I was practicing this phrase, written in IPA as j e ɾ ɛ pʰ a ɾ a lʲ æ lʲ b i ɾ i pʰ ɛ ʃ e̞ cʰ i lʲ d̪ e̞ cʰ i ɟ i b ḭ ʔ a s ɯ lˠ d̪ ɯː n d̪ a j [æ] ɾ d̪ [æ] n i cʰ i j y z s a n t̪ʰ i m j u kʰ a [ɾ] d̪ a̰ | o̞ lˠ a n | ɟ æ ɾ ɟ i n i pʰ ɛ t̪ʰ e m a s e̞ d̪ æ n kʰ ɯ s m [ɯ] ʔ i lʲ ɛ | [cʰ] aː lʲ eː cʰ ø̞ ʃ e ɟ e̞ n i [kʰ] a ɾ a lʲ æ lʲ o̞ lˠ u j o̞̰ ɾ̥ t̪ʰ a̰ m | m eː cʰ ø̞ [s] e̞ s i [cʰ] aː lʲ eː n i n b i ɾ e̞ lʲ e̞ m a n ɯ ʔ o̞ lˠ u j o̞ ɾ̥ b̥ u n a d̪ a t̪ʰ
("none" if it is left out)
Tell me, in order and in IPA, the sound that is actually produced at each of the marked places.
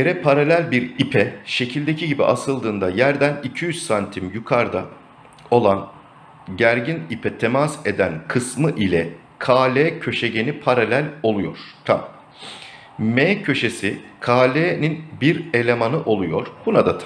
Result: æ, æ, ɾ, ɯ, kʰ, pʰ, ʃ, kʰ

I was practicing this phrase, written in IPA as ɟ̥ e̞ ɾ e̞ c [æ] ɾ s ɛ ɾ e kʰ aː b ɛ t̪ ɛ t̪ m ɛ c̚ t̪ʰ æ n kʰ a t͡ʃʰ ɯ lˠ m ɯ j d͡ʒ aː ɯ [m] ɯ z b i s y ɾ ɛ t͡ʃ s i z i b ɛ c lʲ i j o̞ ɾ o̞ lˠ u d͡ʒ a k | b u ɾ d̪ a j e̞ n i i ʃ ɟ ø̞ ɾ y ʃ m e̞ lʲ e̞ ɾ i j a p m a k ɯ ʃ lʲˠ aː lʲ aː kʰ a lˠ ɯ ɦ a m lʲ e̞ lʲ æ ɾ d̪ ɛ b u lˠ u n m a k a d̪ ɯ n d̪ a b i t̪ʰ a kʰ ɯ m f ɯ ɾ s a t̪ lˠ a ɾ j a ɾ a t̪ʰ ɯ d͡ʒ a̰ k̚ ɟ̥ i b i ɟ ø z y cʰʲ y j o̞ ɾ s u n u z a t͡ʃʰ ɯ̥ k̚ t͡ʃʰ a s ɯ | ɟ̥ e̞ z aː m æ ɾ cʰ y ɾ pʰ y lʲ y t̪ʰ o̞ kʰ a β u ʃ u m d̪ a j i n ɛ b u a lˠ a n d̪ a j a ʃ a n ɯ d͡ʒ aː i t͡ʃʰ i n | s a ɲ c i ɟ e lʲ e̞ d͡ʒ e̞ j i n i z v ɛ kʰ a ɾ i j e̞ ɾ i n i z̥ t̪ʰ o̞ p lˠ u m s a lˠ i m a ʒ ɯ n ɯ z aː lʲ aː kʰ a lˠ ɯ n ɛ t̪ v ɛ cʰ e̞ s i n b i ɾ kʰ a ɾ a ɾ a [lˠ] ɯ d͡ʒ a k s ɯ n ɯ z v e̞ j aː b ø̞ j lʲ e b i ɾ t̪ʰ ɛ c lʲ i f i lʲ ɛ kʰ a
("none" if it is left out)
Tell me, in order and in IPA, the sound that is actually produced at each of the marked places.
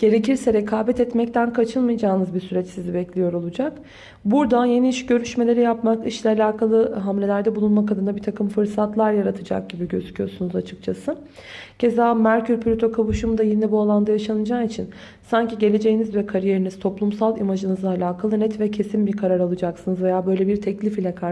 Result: i, n, lˠ

